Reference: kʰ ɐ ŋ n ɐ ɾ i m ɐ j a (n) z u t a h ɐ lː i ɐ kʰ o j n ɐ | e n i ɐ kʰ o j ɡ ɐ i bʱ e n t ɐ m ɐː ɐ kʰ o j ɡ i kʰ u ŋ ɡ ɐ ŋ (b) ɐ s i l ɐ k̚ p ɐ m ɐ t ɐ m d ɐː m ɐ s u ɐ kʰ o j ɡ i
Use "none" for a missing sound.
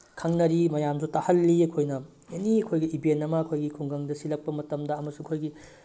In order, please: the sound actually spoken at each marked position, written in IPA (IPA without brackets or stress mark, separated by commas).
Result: m, d